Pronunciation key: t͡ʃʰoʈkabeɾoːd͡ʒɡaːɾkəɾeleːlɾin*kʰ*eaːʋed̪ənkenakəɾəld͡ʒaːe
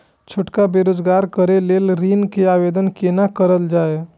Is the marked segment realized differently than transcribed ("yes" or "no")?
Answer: yes